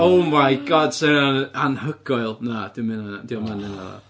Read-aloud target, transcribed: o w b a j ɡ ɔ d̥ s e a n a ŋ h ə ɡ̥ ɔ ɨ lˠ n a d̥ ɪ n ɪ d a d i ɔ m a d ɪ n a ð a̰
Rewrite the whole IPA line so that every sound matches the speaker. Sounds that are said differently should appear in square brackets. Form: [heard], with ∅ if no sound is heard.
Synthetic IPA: o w [m] a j ɡ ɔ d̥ s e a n a [n] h ə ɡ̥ ɔ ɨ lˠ n a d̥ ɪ [m] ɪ [n] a d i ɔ m a [n] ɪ n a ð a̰